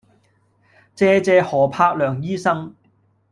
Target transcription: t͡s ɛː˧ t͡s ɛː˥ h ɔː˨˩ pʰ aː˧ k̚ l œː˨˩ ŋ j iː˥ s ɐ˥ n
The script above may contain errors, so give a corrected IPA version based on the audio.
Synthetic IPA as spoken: t͡s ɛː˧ t͡s ɛː˧ h ɔː˨˩ pʰ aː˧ k̚ l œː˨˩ ŋ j iː˥ s ɐ˥ ŋ